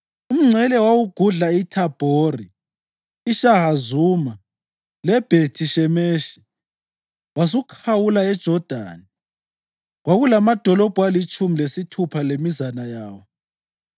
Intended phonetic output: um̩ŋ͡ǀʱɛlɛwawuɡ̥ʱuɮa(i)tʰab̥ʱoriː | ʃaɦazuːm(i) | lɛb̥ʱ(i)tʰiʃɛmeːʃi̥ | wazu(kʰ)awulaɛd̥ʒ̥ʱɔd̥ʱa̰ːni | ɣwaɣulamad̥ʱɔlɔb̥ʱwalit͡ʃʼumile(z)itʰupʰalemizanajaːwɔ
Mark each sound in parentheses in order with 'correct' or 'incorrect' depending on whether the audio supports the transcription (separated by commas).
correct, incorrect, incorrect, correct, incorrect